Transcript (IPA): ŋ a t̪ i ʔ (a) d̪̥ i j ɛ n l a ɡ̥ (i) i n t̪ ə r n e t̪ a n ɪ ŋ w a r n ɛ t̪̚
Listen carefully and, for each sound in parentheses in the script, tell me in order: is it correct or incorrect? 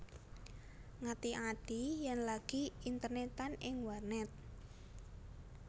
correct, correct

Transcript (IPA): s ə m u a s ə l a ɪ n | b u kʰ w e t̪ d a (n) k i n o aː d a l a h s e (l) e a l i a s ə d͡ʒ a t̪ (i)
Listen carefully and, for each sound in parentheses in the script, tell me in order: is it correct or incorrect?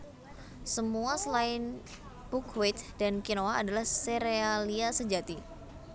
correct, incorrect: ɾ, correct

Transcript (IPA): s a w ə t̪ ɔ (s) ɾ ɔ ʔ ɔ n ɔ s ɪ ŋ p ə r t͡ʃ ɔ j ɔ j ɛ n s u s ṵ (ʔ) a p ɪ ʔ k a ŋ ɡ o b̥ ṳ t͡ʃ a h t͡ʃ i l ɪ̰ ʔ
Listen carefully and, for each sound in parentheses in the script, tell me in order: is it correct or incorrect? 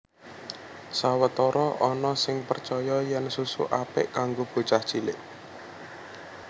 incorrect: none, correct

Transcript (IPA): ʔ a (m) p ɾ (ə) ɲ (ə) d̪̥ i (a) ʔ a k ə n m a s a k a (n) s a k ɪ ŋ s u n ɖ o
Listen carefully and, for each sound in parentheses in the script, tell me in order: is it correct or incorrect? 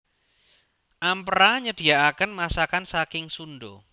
correct, incorrect: a, correct, correct, correct

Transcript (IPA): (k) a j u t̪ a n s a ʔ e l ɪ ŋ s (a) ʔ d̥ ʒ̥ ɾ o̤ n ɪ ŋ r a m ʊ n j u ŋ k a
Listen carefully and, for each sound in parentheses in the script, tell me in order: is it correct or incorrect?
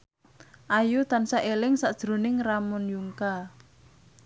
incorrect: ʔ, correct

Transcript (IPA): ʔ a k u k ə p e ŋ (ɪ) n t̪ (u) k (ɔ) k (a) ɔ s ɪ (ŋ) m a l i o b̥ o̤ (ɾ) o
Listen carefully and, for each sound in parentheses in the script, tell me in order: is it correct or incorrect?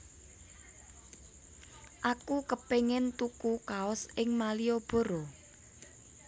correct, correct, incorrect: u, correct, correct, correct

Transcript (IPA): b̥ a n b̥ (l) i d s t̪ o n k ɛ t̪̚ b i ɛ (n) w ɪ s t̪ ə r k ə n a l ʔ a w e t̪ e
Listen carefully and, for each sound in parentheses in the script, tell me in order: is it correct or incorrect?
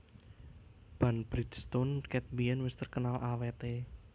incorrect: ɾ, correct

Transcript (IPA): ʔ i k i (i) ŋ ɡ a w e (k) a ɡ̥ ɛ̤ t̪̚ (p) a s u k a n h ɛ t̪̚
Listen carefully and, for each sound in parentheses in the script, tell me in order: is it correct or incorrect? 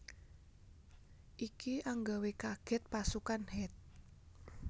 incorrect: a, correct, correct

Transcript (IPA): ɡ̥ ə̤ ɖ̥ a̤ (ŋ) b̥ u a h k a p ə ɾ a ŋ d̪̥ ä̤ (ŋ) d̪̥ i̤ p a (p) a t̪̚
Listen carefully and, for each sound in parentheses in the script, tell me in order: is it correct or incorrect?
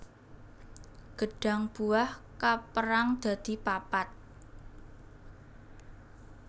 correct, incorrect: none, correct

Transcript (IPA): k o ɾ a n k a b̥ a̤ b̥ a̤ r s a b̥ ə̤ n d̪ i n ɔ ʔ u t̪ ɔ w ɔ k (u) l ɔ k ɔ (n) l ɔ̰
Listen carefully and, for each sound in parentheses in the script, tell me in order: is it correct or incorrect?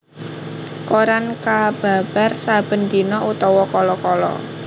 incorrect: ɔ, incorrect: none

